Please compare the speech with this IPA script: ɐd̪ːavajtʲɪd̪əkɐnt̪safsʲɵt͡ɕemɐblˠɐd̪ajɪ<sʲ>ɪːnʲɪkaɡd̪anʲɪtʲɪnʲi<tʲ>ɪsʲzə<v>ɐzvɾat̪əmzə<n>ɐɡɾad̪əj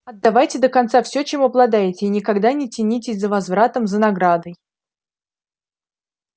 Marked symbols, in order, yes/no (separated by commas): no, yes, yes, yes